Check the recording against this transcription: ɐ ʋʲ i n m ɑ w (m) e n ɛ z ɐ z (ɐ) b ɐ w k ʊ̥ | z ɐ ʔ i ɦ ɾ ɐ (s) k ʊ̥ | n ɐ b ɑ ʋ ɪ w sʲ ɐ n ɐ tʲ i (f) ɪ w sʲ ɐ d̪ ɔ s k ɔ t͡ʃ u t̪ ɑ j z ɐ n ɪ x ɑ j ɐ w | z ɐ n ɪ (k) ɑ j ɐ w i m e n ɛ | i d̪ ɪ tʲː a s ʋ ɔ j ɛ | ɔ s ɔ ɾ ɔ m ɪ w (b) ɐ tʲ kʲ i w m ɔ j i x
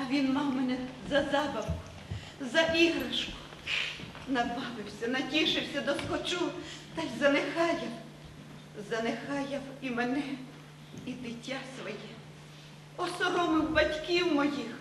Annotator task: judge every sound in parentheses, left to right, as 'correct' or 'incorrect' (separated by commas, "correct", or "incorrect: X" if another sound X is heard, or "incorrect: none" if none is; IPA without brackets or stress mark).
correct, incorrect: ɑ, incorrect: ʃ, incorrect: ʃ, incorrect: x, correct